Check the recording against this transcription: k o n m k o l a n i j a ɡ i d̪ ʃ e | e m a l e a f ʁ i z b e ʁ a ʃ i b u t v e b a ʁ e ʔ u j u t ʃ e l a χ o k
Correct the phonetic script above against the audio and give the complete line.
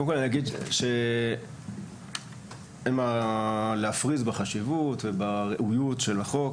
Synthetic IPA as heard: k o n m k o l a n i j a ɡ i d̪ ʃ e | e m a l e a f ʁ i z b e χ a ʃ i v u t v e b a ʁ e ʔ u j u t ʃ e l a χ o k